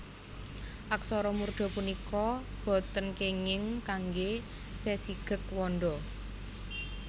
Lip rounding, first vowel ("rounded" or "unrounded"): unrounded